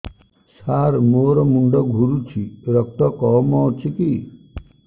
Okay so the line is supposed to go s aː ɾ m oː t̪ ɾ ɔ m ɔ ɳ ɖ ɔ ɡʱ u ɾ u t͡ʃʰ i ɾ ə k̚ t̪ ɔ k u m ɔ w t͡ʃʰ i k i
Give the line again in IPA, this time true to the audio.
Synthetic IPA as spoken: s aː ɾ m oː ɾ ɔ m u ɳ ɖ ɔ ɡʱ u ɾ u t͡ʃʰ i ɾ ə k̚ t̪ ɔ k ɔ m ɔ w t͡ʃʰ i k i